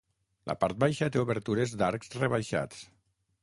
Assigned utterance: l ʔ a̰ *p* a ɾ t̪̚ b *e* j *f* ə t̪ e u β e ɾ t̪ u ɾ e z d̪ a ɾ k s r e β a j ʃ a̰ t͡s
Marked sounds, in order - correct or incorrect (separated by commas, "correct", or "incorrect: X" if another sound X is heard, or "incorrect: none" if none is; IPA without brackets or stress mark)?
correct, incorrect: a, incorrect: ʃ